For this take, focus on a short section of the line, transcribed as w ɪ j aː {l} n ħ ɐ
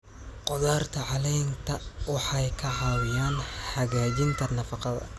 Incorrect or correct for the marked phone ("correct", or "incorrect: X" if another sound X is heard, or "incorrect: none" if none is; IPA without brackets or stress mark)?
incorrect: none